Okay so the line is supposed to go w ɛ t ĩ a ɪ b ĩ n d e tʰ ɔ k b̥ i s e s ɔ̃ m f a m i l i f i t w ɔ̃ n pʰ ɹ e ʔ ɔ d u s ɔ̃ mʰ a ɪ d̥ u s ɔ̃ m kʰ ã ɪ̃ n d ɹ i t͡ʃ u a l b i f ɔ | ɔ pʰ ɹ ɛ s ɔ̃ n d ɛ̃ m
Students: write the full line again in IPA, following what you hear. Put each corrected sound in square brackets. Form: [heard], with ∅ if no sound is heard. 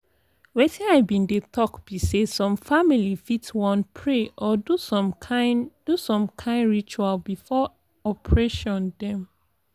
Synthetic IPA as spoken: w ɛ t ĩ a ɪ b ĩ n d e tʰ ɔ k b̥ i s e s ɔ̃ m f a m i l i f i t w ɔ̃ n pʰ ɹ e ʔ ɔ d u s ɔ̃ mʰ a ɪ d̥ u s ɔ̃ m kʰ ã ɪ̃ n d ɹ i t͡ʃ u a l b i f ɔ | ɔ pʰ ɹ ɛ [ʃ] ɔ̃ n d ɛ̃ m